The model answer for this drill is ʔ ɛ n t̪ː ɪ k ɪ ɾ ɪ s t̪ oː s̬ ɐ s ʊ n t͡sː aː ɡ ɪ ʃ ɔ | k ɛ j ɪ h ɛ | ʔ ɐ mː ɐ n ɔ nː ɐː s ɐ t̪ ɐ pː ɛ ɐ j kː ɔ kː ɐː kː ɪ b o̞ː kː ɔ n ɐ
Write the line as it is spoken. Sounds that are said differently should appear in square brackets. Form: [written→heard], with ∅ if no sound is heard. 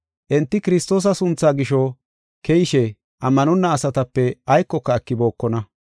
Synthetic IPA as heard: ʔ ɛ n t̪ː ɪ k ɪ ɾ ɪ s t̪ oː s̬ ɐ s ʊ n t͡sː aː ɡ ɪ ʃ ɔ | k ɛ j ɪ [h→ʃ] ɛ | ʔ ɐ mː ɐ n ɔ nː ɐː s ɐ t̪ ɐ pː ɛ ɐ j kː ɔ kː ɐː kː ɪ b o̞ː kː ɔ n ɐ